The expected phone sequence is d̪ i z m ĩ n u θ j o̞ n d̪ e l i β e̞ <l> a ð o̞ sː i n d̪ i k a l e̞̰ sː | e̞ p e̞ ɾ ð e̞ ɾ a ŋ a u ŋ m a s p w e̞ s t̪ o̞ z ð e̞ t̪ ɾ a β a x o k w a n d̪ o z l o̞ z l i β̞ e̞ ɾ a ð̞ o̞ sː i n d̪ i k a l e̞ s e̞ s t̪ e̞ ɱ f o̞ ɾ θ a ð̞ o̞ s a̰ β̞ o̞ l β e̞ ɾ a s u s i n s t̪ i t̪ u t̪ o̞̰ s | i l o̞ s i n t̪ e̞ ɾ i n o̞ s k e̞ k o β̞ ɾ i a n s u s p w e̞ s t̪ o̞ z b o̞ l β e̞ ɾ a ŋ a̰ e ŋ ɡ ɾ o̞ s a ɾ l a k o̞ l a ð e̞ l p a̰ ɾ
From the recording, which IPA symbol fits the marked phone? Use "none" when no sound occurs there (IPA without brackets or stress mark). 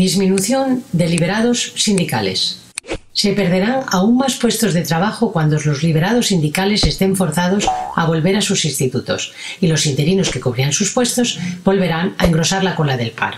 ɾ